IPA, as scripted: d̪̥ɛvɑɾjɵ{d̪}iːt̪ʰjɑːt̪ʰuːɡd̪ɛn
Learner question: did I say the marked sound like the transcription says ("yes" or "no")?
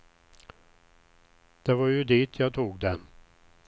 yes